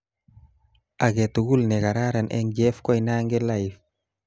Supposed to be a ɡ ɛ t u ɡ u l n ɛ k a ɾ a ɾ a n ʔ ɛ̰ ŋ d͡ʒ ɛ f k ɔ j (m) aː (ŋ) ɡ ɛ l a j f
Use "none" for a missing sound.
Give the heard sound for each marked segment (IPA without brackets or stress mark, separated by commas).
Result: n, ŋ